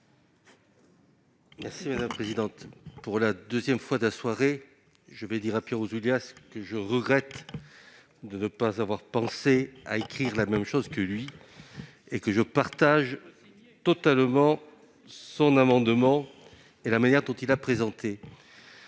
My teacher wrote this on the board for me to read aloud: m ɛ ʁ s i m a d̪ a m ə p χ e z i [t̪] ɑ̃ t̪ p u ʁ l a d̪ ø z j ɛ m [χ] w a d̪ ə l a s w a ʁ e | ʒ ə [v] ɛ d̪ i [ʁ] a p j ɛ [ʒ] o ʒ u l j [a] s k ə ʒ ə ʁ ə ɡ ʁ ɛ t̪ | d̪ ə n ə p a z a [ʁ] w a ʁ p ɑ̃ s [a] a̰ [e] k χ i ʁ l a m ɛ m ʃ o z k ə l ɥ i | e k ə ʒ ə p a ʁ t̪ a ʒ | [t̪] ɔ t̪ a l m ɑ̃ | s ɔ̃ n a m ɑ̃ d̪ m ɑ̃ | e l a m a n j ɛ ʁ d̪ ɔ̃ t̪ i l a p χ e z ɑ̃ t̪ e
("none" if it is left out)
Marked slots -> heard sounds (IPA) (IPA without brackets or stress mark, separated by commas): d̪, f, v, ʁ, ʁ, a, v, e, e, t̪